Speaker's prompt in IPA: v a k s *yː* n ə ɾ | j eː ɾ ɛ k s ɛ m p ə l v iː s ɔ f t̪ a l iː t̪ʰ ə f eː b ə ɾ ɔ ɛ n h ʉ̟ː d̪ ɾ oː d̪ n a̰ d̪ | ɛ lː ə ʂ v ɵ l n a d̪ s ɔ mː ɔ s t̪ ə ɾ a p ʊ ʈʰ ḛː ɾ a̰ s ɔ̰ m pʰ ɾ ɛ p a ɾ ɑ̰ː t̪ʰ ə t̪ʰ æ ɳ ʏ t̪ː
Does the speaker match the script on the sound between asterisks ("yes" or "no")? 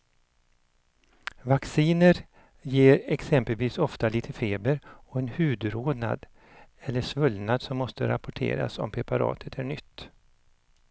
no